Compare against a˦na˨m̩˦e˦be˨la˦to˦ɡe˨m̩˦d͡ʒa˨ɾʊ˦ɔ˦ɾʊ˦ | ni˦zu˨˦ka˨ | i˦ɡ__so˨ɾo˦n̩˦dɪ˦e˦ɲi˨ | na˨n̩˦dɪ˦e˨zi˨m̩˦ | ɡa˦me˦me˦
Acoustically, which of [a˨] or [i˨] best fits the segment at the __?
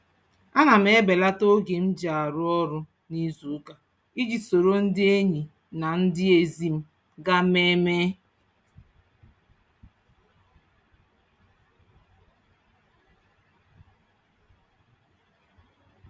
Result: i˨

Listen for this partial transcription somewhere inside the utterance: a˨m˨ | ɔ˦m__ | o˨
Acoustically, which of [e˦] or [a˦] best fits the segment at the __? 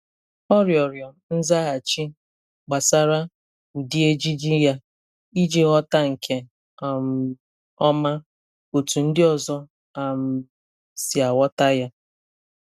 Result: a˦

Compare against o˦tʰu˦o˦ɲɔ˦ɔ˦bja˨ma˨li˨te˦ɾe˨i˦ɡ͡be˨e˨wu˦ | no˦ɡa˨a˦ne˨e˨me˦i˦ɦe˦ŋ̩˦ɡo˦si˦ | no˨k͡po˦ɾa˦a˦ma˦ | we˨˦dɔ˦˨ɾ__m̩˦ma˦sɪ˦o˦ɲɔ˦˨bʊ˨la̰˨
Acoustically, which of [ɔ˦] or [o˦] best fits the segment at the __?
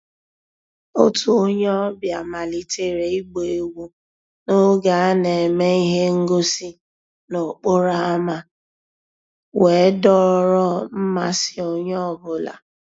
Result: ɔ˦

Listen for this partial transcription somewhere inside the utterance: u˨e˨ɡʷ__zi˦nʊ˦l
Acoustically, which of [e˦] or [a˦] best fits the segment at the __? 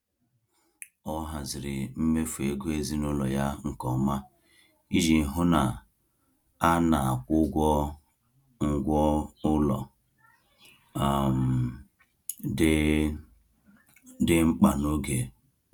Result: e˦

